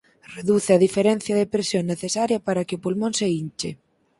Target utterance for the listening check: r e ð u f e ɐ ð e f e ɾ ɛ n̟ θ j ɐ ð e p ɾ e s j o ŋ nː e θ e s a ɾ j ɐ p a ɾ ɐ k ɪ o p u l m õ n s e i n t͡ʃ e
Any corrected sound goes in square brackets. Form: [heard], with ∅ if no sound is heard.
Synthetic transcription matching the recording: r e ð u [θ] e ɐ ð [i] f e ɾ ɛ n̟ θ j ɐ ð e p ɾ e s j o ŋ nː e θ e s a ɾ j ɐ p a ɾ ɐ k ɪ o p u l m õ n s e i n t͡ʃ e